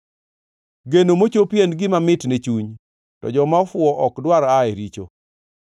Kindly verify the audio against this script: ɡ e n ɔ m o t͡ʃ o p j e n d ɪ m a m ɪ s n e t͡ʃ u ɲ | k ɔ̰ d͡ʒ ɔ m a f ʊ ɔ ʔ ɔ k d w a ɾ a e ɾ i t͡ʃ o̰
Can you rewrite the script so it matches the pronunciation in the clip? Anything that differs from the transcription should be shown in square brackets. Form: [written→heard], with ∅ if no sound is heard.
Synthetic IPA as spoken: ɡ e n [ɔ→o] m o t͡ʃ o p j e n [d→ɡ] ɪ m a m ɪ [s→t] n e t͡ʃ u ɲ | [k→t] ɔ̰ d͡ʒ ɔ m a f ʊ ɔ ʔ ɔ k d w a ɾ a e ɾ i t͡ʃ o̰

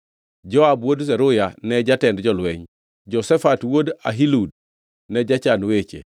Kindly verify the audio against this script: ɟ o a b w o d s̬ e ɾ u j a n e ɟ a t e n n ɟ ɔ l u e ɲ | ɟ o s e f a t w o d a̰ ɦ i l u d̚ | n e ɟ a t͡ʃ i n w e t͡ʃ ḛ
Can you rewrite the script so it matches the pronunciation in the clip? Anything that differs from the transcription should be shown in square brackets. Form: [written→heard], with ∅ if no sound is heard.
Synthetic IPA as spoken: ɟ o a b w o d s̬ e ɾ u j a n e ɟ a t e n [n→d] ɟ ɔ l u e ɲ | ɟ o s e f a t w o d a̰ ɦ i l u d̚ | n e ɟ a t͡ʃ [i→a] n w e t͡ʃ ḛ

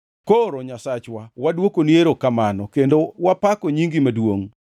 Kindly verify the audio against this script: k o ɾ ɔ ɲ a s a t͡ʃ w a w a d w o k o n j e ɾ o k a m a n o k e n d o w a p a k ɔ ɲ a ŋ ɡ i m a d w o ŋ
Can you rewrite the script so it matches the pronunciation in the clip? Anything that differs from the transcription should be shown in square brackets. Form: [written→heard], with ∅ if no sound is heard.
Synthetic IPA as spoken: k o ɾ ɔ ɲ a s a t͡ʃ w a w a d w o k o n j e ɾ o k a m a n [o→ɔ] k e n d o w a p a k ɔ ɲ [a→i] ŋ ɡ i m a d w o ŋ

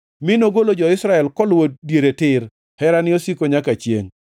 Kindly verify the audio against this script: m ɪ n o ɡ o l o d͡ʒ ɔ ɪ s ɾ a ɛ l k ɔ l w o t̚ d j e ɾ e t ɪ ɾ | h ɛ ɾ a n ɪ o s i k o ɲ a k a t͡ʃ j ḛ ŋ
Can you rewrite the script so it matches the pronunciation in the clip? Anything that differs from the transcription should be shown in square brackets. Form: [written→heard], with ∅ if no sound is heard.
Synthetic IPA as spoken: m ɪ n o ɡ o l o d͡ʒ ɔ ɪ s ɾ a ɛ l k ɔ l w o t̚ d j e ɾ e t ɪ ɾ | h ɛ ɾ a n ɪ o s i k o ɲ a k a t͡ʃ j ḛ ŋ

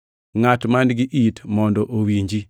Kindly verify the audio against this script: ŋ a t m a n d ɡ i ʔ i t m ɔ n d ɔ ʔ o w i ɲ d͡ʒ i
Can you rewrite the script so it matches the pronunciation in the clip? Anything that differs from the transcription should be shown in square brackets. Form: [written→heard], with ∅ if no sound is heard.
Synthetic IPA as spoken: ŋ a t m a n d ɡ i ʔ i t m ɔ n d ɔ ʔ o w i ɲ d͡ʒ i

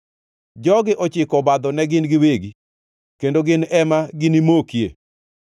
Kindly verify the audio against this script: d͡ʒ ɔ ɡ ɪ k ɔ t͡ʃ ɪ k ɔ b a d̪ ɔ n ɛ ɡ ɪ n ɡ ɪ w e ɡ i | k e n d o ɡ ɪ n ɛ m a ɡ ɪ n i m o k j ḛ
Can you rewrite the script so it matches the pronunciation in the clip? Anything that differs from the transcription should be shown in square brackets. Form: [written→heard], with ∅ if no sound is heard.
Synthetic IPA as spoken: d͡ʒ ɔ ɡ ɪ [k→ʔ] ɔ t͡ʃ ɪ k ɔ b a d̪ ɔ n ɛ ɡ ɪ n ɡ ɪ w e ɡ i | k e n d o ɡ ɪ n ɛ m a ɡ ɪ n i m o k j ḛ

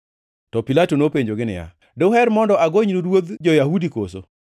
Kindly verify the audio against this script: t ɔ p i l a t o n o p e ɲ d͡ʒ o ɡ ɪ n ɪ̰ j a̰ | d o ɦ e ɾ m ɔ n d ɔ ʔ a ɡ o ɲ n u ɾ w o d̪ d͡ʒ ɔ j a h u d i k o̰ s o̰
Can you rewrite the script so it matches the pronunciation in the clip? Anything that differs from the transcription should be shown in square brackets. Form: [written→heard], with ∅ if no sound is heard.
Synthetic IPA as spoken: t ɔ p i l a t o n o p e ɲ d͡ʒ o ɡ ɪ n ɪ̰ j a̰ | d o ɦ [e→ɛ] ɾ m ɔ n d ɔ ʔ a ɡ o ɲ n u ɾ w o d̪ d͡ʒ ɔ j a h u d i k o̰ s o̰

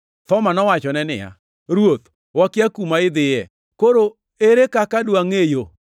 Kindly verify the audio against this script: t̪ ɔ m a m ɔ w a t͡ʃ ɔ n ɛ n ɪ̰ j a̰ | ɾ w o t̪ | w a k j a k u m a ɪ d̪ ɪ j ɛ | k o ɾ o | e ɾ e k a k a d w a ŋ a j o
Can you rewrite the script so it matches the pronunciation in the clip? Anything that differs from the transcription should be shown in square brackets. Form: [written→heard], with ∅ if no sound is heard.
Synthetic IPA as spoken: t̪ ɔ m a [m→n] ɔ w a t͡ʃ ɔ n ɛ n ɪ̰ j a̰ | ɾ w o t̪ | w a k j a k u m a ɪ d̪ ɪ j ɛ | k o ɾ o | e ɾ e k a k a d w a ŋ [a→e] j o

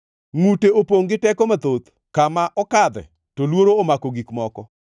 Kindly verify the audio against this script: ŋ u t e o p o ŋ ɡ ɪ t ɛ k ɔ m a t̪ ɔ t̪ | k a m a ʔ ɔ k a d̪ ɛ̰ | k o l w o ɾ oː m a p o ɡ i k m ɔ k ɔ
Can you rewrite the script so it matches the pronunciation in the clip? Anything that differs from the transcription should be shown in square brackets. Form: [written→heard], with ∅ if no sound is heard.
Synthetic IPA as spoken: ŋ u t e o p o ŋ ɡ ɪ t ɛ k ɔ m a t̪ [ɔ→o] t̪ | k a m a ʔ ɔ k a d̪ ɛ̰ | [k→t] o l w o ɾ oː m a [p→k] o ɡ i k m ɔ k ɔ

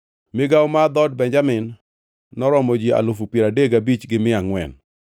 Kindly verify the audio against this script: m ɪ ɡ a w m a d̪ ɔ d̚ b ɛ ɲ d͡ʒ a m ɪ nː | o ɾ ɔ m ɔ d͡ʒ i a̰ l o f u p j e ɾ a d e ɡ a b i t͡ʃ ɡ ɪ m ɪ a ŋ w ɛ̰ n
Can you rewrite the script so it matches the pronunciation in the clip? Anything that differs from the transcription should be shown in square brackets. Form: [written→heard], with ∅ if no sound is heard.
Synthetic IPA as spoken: m ɪ ɡ a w m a d̪ ɔ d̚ b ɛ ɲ d͡ʒ a m ɪ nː | [o→ɔ] ɾ ɔ m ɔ d͡ʒ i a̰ l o f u p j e ɾ a d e ɡ a b i t͡ʃ ɡ ɪ m ɪ a ŋ w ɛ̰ n

